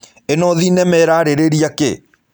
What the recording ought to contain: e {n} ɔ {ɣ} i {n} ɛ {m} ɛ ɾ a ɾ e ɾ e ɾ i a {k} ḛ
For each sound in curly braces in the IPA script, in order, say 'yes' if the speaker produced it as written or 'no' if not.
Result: yes, no, yes, yes, yes

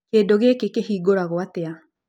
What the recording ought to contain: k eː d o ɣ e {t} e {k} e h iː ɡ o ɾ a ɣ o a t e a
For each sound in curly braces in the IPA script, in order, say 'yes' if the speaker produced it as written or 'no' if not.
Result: no, yes

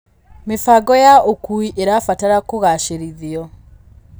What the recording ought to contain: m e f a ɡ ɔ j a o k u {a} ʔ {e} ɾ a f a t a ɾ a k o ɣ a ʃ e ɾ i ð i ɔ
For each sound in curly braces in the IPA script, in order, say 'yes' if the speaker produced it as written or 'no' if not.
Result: no, yes

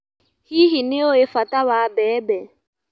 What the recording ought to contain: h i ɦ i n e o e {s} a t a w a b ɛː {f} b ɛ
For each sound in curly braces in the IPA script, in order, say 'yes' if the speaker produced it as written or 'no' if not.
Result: no, no

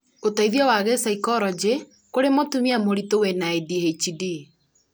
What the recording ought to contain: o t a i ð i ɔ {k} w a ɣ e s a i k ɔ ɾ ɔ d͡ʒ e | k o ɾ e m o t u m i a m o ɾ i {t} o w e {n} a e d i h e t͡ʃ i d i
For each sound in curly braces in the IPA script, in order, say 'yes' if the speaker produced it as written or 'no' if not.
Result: no, yes, yes

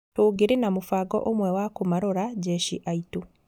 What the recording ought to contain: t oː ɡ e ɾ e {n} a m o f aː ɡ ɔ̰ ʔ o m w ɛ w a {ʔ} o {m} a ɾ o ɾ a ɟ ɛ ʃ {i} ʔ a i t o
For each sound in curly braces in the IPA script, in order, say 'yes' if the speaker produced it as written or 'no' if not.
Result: yes, no, yes, yes

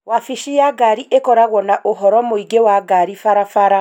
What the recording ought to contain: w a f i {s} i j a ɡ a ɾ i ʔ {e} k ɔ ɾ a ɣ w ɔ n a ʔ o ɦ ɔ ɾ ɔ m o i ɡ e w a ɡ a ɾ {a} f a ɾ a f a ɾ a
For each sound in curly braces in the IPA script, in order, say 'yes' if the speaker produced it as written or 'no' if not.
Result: no, yes, no

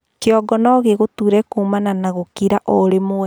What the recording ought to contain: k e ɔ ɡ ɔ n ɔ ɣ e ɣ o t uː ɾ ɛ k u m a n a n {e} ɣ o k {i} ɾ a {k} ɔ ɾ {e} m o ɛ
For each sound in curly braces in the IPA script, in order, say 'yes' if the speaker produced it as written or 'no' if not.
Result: no, yes, no, yes

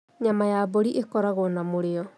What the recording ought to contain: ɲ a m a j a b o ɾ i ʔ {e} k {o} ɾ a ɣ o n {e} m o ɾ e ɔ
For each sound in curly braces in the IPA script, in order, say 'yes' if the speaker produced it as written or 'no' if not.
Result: yes, no, no

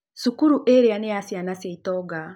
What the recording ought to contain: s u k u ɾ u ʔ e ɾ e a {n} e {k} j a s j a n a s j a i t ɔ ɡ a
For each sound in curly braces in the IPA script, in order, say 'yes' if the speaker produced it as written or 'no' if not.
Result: yes, no

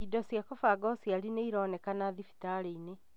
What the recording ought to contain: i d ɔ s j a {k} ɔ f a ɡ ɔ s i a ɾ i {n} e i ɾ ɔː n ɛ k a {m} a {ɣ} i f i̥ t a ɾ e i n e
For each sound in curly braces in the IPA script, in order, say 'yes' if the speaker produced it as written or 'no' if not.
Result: yes, yes, no, no

